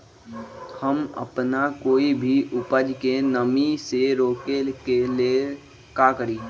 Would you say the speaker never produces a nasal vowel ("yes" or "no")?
yes